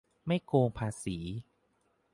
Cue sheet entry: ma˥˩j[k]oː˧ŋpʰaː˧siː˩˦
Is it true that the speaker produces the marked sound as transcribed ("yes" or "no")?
yes